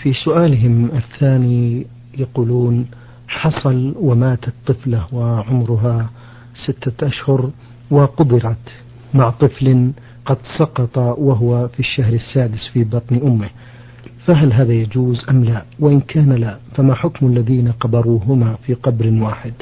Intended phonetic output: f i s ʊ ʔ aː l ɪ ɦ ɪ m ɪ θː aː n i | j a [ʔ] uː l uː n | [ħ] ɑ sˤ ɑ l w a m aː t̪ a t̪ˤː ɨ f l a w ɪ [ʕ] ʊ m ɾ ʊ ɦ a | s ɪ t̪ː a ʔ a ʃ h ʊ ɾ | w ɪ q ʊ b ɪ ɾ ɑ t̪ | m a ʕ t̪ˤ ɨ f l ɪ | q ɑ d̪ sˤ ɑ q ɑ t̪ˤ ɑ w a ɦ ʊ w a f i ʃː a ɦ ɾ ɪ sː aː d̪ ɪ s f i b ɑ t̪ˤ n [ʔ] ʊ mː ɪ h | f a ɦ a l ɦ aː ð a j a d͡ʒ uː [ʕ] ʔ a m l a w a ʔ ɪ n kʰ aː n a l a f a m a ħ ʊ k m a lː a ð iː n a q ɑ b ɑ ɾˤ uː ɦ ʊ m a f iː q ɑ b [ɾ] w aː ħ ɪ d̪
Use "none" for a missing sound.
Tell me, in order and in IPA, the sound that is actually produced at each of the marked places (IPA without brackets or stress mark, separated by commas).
q, ħ, ʕ, ʔ, z, ɾ